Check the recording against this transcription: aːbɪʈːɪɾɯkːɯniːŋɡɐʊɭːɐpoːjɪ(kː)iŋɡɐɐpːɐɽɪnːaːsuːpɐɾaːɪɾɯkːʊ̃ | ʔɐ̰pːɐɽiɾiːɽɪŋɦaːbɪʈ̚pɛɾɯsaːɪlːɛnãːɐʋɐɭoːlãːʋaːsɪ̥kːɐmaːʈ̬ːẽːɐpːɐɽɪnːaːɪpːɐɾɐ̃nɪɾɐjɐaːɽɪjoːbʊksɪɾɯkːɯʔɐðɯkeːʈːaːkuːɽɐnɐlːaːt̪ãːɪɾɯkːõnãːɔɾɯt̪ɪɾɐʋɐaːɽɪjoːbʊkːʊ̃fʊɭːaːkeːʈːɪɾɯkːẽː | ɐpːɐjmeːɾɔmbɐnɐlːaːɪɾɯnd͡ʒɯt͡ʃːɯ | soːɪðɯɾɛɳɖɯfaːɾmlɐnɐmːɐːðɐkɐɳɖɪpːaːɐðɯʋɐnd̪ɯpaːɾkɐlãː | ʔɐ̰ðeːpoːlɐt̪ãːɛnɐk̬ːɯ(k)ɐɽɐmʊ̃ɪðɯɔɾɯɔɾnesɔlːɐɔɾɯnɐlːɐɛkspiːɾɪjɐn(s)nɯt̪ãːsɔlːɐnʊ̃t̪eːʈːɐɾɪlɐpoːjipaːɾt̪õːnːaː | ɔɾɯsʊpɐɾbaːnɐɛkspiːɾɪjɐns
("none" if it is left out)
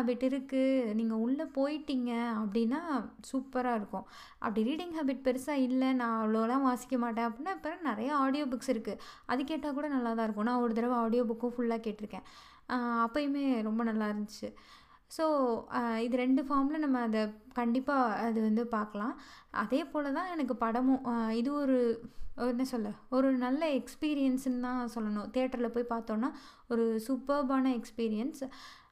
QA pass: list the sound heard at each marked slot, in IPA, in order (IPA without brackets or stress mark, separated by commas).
ʈː, p, s